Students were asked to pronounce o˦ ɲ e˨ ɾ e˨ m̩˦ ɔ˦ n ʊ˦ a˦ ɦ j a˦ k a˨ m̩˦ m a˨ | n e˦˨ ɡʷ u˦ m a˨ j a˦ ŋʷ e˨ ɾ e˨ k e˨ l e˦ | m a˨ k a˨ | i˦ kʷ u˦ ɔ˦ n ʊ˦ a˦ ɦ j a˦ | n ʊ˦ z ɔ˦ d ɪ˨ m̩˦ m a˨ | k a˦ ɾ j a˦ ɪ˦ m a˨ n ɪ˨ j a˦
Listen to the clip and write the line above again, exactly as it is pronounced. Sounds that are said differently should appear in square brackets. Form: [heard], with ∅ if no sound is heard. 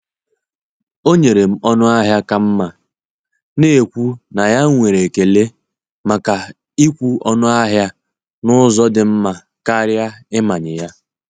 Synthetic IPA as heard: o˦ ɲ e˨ ɾ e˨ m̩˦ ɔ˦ n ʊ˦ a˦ ɦ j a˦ k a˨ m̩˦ m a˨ | n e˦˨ [kʷ] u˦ [n] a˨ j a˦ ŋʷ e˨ ɾ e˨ k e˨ l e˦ | m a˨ k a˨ | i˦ kʷ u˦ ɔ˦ n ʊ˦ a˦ ɦ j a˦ | n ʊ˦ z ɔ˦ d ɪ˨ m̩˦ m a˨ | k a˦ ɾ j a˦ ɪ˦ m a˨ [ɲ] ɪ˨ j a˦